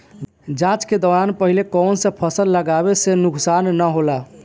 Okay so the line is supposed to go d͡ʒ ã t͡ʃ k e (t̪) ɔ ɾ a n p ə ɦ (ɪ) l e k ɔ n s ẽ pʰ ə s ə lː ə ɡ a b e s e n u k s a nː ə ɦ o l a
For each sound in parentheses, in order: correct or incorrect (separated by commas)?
incorrect, incorrect